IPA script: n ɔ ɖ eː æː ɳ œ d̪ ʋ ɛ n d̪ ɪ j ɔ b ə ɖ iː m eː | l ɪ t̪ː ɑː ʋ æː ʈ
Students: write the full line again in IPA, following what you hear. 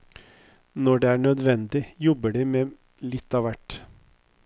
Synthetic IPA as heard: n ɔ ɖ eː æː ɳ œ d̪ ʋ ɛ n d̪ ɪ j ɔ b ə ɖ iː m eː | l ɪ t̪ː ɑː ʋ æ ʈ